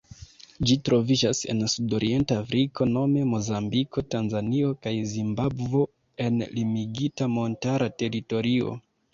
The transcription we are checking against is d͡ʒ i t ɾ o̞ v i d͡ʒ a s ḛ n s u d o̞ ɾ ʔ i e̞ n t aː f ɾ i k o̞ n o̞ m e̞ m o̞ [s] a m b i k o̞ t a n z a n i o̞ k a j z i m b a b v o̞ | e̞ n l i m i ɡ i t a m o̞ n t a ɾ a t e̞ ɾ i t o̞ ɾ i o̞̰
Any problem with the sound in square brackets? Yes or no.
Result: yes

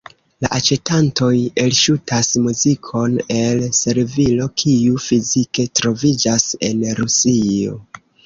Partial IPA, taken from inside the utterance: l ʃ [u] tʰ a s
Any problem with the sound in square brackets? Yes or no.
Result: no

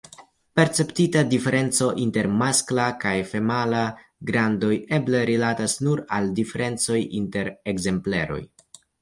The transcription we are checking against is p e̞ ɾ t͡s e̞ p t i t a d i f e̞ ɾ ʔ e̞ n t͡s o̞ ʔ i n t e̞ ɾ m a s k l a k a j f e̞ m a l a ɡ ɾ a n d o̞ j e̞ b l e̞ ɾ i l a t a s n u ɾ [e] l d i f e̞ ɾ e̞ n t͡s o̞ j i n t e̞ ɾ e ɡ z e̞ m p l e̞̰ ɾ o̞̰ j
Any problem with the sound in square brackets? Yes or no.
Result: yes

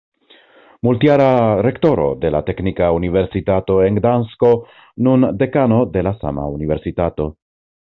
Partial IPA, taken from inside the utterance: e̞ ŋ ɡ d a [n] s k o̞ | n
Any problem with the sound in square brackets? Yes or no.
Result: no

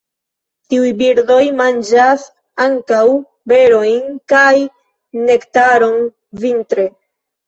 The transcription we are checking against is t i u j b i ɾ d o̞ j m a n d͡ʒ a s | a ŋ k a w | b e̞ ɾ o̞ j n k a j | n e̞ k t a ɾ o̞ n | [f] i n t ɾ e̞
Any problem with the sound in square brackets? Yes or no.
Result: yes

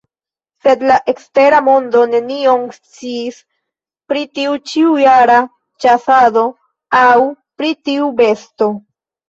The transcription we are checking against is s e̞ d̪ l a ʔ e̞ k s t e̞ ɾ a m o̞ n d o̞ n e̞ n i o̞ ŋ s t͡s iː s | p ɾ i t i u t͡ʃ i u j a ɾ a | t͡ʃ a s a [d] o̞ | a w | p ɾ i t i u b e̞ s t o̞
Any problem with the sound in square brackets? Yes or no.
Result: no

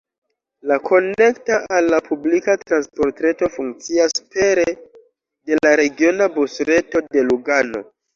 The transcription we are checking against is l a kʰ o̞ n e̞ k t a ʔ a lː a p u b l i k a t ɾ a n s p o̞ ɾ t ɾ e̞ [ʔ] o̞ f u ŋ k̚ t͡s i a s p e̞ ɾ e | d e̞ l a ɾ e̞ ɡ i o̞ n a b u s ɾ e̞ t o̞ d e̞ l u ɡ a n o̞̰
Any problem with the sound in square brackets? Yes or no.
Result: yes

